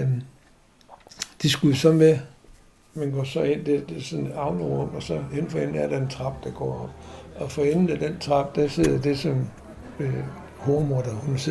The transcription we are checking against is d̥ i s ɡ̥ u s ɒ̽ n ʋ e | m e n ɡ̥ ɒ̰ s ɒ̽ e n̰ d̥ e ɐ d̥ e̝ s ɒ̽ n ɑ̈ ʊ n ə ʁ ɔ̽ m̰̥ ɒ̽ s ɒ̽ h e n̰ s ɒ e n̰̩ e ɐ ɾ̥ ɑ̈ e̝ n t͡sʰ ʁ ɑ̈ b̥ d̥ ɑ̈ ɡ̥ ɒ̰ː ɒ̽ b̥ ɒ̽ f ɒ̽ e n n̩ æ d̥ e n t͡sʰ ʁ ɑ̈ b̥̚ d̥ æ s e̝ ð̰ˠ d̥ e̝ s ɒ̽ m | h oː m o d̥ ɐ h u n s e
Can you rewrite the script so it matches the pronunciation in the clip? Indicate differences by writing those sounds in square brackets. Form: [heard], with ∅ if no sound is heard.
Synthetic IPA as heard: d̥ i s ɡ̥ u s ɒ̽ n ʋ e | m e n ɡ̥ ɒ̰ s ɒ̽ e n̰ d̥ e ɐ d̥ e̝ s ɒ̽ n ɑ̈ ʊ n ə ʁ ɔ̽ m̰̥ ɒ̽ s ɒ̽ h e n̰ [f] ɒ e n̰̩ [æ] ɐ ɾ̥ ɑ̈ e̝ n t͡sʰ ʁ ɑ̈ b̥ d̥ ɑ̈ ɡ̥ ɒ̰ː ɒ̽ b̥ ɒ̽ f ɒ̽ e n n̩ æ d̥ e n t͡sʰ ʁ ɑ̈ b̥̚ d̥ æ s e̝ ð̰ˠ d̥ e̝ s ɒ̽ m | h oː m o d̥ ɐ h u n s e